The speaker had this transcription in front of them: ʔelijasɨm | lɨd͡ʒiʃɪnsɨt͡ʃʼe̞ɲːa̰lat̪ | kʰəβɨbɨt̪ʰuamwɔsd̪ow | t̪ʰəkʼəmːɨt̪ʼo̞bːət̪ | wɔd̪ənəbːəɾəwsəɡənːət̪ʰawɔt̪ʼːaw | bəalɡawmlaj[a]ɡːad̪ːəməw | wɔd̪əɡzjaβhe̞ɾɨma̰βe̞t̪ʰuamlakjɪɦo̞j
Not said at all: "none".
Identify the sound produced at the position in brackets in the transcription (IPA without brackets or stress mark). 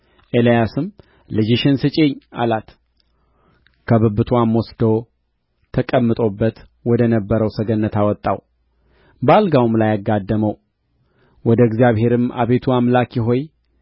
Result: a